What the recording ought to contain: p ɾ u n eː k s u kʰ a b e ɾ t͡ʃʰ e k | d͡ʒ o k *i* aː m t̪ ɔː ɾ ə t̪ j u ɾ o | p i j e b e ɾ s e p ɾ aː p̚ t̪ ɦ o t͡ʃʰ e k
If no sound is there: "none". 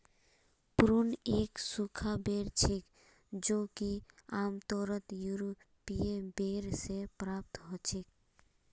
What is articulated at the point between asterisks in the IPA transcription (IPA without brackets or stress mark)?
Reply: i